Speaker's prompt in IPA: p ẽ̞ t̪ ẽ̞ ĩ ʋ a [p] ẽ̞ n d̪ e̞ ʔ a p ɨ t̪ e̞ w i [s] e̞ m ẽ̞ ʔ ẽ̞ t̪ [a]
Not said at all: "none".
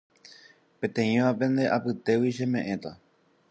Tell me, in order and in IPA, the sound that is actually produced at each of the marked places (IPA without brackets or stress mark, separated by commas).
p, ʃ, a